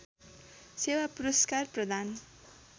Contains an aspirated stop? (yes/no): no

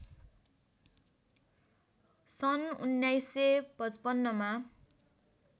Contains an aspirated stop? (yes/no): no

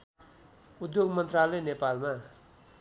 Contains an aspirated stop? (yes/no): no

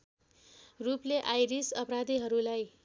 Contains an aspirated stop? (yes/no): no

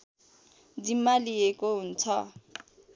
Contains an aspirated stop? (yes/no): yes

